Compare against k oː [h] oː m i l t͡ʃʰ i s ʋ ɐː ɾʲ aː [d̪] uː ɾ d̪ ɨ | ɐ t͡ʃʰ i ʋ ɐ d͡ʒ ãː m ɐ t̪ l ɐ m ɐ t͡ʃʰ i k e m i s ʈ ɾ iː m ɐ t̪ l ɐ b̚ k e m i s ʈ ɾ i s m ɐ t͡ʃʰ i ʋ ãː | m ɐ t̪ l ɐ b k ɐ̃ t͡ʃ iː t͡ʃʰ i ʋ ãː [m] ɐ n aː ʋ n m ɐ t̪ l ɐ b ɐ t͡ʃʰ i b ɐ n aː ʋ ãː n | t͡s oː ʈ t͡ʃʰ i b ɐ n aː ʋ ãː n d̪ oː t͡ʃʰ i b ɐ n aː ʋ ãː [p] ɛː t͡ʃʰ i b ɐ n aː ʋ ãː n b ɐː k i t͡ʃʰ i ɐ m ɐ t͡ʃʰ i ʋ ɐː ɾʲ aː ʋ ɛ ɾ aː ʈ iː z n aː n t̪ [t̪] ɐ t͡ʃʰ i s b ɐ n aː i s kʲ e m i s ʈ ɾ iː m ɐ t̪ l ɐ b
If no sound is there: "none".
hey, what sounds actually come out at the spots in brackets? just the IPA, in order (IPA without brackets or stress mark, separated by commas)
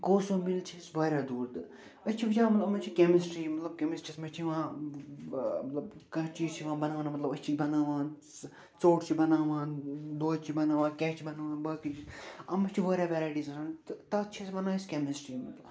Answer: s, d̪, b, k, t̪